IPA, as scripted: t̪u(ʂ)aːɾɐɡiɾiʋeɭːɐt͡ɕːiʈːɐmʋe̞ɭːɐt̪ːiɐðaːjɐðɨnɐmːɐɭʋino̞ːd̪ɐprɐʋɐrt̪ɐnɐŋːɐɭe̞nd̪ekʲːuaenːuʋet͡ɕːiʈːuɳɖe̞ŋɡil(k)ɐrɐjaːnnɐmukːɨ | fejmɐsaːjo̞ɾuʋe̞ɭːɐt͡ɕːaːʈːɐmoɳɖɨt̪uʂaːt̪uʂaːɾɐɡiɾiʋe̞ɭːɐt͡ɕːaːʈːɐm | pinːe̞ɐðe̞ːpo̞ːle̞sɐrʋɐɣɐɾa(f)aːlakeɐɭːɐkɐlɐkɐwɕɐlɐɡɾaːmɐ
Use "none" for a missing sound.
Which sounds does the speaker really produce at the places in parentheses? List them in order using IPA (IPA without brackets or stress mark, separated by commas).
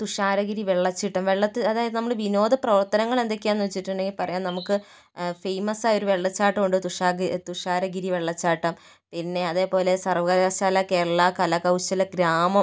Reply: ʂ, p, ɕ